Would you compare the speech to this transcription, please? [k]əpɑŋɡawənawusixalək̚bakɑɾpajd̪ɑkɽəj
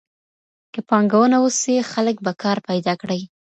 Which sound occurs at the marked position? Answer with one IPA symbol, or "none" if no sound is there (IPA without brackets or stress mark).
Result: k